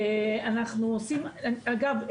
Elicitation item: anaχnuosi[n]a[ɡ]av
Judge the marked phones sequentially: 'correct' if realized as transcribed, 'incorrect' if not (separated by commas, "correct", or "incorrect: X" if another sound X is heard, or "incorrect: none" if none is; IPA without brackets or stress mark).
incorrect: m, correct